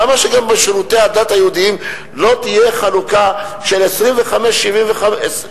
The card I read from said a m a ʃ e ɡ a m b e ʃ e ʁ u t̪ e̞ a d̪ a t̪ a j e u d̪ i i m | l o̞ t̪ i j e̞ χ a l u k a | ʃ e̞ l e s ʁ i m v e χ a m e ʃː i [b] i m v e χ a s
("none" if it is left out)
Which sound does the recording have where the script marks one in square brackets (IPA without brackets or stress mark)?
v